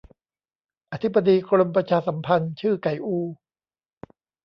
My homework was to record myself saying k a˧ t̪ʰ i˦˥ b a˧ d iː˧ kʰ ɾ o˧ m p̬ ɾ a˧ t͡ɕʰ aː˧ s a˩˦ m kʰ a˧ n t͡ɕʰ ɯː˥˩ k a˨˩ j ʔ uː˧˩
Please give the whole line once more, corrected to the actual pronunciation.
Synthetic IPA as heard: ʔ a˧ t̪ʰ i˦˥ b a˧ d iː˧ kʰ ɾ o˧ m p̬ ɾ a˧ t͡ɕʰ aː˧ s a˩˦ m pʰ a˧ n t͡ɕʰ ɯː˥˩ k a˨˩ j ʔ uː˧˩